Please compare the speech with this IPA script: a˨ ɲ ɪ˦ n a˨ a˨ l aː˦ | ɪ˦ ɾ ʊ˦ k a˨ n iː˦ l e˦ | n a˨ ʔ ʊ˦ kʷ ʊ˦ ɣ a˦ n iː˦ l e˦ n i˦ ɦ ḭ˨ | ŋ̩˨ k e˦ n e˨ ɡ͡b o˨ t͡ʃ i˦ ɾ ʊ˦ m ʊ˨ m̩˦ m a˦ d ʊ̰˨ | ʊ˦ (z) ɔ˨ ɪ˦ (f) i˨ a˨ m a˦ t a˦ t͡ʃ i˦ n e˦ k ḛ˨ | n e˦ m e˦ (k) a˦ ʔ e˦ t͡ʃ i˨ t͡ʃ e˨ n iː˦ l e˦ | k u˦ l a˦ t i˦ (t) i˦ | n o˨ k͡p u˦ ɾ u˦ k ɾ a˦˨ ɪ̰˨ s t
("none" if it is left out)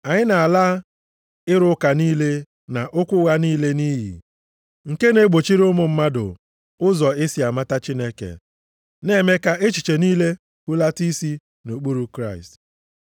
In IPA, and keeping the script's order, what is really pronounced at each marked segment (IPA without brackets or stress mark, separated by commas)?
z, s, k, s